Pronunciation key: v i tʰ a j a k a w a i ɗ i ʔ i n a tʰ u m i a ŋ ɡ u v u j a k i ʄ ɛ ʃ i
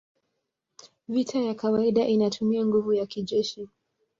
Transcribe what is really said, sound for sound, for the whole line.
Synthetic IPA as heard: v i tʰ a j a k a w a i ɗ a ʔ i n a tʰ u m i a ŋ ɡ u v u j a k i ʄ ɛ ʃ i